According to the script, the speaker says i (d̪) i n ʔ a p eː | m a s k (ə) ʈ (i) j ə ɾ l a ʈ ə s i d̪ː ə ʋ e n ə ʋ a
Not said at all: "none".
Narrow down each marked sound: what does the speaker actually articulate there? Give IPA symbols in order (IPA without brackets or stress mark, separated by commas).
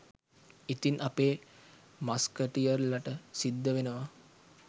t̪, ə, i